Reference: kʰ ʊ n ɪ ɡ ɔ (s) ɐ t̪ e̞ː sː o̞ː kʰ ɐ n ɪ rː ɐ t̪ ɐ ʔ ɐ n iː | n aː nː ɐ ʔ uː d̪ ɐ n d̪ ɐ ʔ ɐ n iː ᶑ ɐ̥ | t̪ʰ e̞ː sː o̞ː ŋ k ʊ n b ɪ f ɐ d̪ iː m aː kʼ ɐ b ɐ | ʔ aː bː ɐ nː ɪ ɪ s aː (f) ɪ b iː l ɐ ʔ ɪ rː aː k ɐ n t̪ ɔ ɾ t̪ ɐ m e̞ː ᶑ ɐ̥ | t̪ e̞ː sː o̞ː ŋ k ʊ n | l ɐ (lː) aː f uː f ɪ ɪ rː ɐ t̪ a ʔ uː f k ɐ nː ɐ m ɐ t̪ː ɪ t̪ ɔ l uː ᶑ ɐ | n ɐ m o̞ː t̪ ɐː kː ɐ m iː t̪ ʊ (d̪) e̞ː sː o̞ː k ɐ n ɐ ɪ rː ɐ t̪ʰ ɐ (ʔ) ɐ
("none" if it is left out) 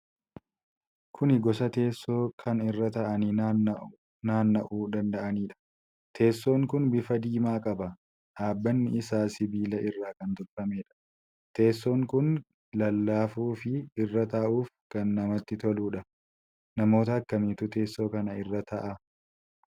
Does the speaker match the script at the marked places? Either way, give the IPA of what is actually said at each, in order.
s, s, lː, t̪, ʔ

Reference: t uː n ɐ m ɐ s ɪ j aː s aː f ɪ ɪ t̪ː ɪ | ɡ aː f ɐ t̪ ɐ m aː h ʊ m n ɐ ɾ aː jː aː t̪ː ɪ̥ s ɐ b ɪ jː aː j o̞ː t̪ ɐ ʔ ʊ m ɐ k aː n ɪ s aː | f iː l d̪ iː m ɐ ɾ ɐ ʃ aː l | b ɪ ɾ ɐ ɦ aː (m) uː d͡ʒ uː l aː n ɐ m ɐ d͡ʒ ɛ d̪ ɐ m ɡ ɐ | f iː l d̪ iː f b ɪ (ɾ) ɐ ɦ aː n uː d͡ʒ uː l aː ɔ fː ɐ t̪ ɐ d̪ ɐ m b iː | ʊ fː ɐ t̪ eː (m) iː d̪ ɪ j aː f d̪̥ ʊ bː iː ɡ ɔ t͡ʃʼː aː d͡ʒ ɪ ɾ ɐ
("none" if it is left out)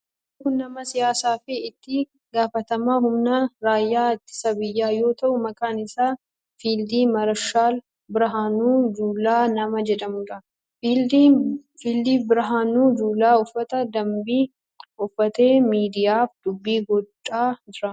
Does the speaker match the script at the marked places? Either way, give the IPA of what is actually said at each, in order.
n, ɾ, m

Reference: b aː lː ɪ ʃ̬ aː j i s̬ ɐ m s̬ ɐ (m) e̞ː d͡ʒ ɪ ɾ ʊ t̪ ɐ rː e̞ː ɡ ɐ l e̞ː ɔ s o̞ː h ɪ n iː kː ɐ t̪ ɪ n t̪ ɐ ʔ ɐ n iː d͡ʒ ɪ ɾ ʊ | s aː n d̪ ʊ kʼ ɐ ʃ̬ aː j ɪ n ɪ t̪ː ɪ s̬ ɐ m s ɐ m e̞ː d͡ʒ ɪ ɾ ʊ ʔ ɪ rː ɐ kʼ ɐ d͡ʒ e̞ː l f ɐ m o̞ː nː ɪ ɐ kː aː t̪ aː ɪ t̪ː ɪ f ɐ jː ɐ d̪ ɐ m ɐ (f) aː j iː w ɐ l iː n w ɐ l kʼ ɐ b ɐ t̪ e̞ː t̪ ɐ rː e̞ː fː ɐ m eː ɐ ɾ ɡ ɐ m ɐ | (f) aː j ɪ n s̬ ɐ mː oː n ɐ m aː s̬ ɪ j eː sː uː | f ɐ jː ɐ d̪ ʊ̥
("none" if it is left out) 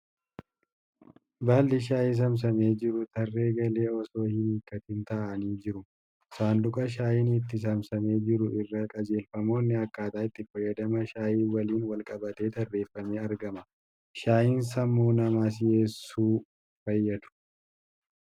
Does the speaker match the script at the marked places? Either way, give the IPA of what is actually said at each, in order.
m, ʃ, ʃ

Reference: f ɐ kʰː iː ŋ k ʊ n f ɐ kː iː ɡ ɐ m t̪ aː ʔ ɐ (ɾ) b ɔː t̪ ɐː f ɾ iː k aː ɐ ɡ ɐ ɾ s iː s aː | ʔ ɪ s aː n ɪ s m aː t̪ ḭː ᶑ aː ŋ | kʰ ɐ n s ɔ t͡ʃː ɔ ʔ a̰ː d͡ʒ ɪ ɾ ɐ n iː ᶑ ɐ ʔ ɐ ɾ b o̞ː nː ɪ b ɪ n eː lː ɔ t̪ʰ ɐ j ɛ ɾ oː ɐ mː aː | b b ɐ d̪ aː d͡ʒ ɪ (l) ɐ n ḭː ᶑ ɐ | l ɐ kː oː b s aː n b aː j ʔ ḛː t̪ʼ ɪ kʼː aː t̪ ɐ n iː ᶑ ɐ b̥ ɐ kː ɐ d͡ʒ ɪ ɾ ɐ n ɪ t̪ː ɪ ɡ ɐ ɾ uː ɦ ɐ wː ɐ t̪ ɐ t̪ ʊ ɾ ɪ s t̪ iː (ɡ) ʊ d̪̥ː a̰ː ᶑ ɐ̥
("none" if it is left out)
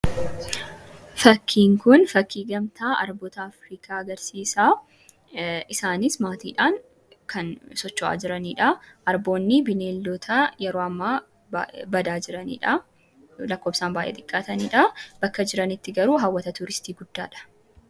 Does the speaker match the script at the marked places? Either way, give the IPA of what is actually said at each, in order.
ɾ, ɾ, ɡ

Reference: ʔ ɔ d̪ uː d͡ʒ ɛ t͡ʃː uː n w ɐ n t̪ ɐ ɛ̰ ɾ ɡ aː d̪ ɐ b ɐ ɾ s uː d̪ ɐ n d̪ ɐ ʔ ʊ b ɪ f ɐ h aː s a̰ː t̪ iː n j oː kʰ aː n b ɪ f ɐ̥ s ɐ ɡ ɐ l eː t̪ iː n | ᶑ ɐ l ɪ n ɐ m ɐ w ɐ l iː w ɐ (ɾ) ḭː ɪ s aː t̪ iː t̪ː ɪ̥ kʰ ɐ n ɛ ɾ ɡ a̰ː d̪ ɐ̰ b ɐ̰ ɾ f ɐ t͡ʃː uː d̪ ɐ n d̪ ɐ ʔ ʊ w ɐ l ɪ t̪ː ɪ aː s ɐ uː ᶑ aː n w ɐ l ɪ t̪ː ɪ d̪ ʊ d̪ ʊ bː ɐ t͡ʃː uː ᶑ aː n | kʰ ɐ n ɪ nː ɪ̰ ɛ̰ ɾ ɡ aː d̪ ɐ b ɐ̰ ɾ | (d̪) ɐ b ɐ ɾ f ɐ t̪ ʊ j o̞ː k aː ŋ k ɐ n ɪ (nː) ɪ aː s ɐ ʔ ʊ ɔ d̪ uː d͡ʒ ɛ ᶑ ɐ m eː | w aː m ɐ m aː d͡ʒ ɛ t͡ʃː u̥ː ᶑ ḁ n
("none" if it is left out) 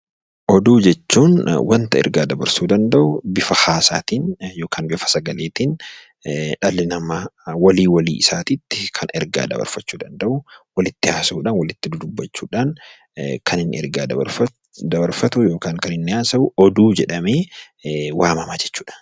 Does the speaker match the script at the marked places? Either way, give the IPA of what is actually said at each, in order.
l, d̪, nː

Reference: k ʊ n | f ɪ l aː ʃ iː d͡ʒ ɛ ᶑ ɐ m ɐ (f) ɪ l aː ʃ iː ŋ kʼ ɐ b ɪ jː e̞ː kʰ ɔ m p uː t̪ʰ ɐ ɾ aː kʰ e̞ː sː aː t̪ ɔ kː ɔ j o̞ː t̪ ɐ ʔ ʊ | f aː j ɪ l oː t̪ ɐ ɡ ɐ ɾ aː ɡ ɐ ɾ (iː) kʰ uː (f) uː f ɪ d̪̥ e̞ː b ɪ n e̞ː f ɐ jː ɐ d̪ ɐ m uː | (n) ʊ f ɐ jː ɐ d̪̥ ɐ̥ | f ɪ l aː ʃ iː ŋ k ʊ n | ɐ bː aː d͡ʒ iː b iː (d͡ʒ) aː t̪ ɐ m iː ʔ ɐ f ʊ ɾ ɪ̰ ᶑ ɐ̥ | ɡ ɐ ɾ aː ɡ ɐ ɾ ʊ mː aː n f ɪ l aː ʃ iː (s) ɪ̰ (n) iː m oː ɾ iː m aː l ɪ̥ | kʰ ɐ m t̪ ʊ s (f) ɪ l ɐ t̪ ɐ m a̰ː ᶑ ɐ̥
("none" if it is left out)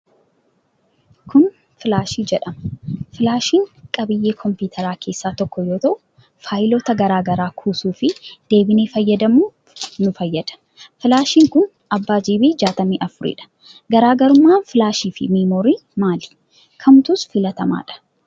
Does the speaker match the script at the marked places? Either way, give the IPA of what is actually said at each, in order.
f, aː, s, n, d͡ʒ, f, m, f

